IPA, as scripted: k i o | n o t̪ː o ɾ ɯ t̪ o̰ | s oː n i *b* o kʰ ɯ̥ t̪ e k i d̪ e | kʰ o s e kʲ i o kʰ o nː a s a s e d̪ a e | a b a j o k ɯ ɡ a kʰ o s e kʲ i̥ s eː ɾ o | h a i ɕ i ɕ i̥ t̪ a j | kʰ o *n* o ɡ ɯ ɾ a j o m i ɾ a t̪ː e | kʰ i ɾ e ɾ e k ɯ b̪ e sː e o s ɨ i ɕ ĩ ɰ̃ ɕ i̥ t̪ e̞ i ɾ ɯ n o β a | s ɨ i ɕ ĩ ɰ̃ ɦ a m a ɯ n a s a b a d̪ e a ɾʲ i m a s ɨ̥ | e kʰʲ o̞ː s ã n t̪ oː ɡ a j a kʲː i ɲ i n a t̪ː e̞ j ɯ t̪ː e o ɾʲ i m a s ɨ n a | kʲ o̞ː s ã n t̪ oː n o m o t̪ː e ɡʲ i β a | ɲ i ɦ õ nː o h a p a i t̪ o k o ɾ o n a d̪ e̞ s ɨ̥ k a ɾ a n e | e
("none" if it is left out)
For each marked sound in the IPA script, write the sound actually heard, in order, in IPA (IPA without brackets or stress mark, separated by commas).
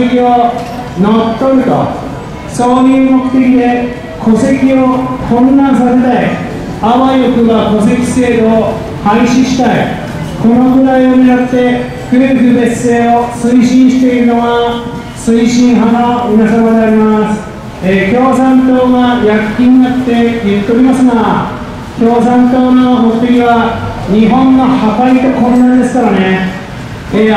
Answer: m, n